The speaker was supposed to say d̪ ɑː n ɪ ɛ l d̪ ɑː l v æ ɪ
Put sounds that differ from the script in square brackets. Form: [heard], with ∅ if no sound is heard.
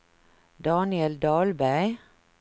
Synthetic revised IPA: d̪ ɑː n ɪ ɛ l d̪ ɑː l [b] æ ɪ